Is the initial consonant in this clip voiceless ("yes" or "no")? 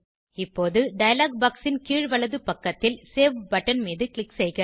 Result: yes